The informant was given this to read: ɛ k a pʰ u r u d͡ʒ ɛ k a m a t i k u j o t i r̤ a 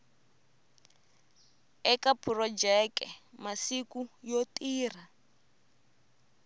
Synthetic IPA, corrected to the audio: ɛ k a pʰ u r ɔ d͡ʒ ɛ k ɛ m a s i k u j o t iː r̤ a